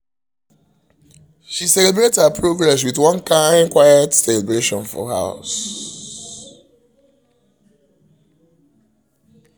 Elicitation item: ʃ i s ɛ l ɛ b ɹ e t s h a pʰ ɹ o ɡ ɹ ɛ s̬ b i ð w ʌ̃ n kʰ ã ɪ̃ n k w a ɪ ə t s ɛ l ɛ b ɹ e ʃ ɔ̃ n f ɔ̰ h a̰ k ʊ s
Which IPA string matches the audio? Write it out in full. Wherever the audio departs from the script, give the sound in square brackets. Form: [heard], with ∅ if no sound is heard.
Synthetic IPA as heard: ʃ i s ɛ l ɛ b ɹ e t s h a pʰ ɹ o ɡ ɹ ɛ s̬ [w] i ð w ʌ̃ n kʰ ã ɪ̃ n k w a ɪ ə t s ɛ l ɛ b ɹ e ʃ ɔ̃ n f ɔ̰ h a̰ [∅] ʊ s